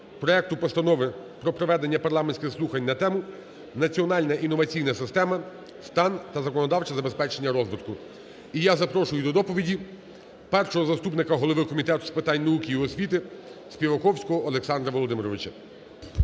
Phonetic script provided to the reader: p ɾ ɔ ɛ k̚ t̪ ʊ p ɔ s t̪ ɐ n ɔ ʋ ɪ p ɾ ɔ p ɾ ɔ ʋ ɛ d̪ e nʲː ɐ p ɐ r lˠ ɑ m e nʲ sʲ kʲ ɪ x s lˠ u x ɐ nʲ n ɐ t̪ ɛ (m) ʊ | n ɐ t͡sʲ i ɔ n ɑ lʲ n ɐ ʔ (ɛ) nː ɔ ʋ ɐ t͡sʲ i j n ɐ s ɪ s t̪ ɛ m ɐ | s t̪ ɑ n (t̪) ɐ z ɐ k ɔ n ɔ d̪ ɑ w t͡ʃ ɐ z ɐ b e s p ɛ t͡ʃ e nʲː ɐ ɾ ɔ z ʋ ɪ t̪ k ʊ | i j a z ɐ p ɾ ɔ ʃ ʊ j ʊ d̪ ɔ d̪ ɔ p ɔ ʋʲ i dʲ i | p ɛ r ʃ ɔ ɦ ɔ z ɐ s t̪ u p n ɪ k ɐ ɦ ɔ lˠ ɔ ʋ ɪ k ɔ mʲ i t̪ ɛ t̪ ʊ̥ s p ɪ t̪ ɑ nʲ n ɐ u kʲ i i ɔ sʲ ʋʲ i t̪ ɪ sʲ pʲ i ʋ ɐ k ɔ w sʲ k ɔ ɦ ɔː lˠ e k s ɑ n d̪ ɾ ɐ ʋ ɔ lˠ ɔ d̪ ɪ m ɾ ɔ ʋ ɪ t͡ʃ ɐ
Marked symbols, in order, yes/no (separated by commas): yes, no, yes